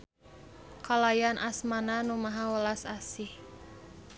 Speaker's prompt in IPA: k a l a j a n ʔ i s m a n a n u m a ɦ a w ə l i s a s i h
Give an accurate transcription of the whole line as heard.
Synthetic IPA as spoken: k a l a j a n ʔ a s m a n a n u m a ɦ a w ə l a s a s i h